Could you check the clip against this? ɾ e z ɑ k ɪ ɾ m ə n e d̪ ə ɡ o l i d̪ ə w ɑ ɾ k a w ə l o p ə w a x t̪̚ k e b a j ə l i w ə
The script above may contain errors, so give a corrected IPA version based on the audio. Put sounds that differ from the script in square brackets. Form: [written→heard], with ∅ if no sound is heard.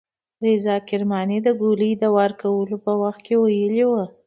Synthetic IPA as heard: ɾ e z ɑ k ɪ ɾ m [ə→ɑ] n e d̪ ə ɡ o l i d̪ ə w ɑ ɾ k a w ə l o p ə w a x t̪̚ k e [b→w] a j ə l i w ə